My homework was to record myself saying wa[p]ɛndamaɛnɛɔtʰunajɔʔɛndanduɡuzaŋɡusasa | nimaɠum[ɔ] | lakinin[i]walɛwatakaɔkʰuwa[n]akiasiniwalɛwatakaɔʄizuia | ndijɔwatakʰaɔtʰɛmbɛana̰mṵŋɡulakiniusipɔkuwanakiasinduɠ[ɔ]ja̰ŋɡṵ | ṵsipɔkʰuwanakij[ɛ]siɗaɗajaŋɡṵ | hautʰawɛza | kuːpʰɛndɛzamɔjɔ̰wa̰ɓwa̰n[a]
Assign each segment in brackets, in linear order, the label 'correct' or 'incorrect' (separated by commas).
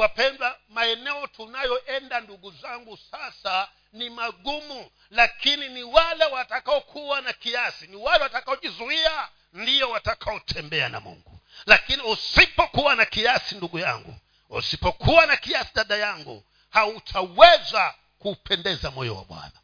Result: correct, incorrect, correct, correct, incorrect, incorrect, correct